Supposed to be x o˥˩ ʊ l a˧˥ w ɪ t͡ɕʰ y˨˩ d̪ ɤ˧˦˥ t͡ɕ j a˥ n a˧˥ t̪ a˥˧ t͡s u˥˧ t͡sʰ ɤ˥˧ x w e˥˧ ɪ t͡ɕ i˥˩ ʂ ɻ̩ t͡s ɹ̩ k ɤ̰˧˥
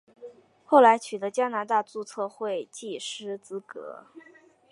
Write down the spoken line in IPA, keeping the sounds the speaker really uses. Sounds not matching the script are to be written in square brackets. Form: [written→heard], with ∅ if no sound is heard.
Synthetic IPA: x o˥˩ ʊ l a˧˥ [w→∅] ɪ t͡ɕʰ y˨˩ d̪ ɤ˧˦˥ t͡ɕ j a˥ n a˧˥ t̪ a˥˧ t͡s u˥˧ t͡sʰ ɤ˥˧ x w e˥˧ ɪ t͡ɕ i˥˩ ʂ ɻ̩ t͡s ɹ̩ k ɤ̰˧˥

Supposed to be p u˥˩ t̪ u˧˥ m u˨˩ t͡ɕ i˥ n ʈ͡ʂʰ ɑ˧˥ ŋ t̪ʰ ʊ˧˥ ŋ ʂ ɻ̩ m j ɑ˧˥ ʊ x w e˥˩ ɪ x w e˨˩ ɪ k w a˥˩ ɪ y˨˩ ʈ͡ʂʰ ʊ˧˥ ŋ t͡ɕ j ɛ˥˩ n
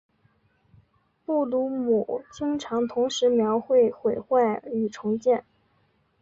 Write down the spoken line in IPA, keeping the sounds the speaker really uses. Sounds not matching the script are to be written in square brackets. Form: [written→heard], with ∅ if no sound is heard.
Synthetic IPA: p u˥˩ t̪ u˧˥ m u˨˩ t͡ɕ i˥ [n→ŋ] ʈ͡ʂʰ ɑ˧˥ ŋ t̪ʰ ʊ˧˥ ŋ ʂ ɻ̩ m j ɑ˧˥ ʊ x w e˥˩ ɪ x w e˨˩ ɪ [k→x] w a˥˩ ɪ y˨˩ ʈ͡ʂʰ ʊ˧˥ ŋ t͡ɕ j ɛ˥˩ n

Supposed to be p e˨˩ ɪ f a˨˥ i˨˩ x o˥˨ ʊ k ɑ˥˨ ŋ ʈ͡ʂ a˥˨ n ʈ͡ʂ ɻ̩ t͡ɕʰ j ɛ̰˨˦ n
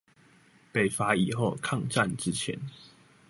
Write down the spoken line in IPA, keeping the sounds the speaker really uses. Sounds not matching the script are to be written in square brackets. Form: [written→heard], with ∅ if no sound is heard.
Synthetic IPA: p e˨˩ ɪ f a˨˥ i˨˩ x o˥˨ ʊ [k→kʰ] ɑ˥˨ ŋ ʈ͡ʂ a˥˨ n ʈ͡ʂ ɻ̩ t͡ɕʰ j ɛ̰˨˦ n

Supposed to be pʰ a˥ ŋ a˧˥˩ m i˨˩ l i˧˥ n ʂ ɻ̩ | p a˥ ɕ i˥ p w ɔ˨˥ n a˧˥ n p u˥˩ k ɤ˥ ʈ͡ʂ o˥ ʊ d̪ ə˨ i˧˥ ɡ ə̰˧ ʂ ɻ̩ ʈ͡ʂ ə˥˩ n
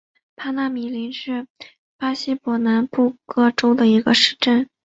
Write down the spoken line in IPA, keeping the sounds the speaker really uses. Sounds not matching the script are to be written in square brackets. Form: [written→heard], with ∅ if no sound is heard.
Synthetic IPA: pʰ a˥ [ŋ→n] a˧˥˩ m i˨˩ l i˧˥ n ʂ ɻ̩ | p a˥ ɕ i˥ p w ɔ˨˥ n a˧˥ n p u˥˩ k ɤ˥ ʈ͡ʂ o˥ ʊ d̪ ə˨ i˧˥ ɡ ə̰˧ ʂ ɻ̩ ʈ͡ʂ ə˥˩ n

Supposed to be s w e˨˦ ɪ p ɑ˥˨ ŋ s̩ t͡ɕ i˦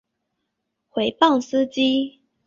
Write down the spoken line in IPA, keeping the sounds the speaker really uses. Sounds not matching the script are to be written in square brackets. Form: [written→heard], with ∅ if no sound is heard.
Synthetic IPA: [s→x] w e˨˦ ɪ p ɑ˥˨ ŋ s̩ t͡ɕ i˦

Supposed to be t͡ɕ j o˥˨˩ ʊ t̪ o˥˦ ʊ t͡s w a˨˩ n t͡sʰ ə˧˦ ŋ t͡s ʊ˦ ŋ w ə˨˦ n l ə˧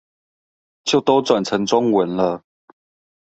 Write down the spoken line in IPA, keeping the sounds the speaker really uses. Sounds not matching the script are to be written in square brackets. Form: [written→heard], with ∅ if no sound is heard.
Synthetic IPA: t͡ɕ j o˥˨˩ ʊ t̪ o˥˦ ʊ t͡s w a˨˩ n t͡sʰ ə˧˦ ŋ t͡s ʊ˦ ŋ w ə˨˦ n l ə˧

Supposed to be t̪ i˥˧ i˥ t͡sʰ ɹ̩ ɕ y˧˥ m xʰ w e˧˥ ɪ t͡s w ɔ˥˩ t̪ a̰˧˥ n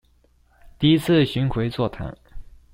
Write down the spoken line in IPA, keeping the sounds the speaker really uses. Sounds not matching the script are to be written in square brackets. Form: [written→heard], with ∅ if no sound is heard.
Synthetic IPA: t̪ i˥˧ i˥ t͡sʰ ɹ̩ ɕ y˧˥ [m→n] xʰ w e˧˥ ɪ t͡s w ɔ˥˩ [t̪→t̪ʰ] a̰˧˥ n

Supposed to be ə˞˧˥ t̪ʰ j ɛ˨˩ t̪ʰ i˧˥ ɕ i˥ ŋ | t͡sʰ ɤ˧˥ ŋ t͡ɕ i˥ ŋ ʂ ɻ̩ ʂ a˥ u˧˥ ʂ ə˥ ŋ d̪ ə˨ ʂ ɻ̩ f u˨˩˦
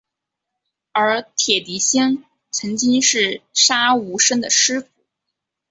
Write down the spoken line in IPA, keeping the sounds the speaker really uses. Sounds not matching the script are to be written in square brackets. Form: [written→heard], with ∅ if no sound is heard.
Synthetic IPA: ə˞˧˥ t̪ʰ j ɛ˨˩ [t̪ʰ→t̪] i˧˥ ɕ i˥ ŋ | t͡sʰ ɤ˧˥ ŋ t͡ɕ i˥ ŋ ʂ ɻ̩ ʂ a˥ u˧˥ ʂ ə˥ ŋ d̪ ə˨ ʂ ɻ̩ f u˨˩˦

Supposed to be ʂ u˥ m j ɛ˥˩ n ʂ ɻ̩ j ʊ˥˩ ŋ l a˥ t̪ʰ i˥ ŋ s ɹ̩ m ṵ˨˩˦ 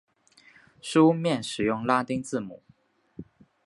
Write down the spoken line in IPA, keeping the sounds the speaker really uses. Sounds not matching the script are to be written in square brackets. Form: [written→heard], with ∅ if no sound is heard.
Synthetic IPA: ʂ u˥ m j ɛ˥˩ n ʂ ɻ̩ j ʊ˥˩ ŋ l a˥ [t̪ʰ→t̪] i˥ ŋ [s→t͡s] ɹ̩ m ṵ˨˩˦

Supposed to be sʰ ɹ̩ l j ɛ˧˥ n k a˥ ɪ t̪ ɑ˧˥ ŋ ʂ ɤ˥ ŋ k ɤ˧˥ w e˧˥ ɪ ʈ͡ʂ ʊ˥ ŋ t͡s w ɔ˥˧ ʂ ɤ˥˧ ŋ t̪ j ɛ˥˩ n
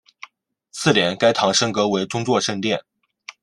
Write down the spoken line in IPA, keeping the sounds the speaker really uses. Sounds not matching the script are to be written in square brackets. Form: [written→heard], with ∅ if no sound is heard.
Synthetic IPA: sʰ ɹ̩ l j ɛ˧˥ n k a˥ ɪ [t̪→t̪ʰ] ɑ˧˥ ŋ ʂ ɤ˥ ŋ k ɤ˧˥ w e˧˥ ɪ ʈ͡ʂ ʊ˥ ŋ t͡s w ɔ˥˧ ʂ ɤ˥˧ ŋ t̪ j ɛ˥˩ n

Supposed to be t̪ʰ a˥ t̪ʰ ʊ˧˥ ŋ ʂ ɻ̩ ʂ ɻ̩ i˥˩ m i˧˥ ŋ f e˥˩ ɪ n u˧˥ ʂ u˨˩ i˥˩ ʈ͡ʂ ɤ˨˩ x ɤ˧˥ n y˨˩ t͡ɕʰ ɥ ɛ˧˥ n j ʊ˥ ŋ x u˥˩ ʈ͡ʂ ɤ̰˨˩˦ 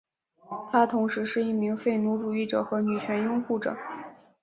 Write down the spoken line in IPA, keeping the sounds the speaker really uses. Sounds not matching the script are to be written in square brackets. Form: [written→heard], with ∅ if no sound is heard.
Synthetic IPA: t̪ʰ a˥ t̪ʰ ʊ˧˥ ŋ ʂ ɻ̩ ʂ ɻ̩ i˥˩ m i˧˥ ŋ f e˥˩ ɪ n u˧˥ [ʂ→ʈ͡ʂ] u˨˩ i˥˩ ʈ͡ʂ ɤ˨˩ x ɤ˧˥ n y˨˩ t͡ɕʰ ɥ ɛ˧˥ n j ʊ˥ ŋ x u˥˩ ʈ͡ʂ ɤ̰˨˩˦

